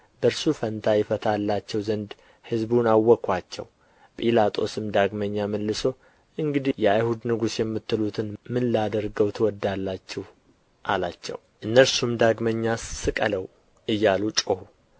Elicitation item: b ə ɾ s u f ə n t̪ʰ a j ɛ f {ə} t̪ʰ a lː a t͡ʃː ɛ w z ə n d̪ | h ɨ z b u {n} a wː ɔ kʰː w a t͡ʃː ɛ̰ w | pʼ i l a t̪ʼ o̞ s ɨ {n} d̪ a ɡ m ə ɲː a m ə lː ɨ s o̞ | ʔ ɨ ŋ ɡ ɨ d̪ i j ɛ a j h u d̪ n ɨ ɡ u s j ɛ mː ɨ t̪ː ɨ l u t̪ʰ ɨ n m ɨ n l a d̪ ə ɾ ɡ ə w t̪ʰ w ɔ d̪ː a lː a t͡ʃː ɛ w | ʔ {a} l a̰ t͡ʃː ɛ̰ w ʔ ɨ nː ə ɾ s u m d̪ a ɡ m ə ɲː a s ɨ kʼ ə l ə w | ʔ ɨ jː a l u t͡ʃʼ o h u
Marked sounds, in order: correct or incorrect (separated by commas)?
correct, correct, incorrect, correct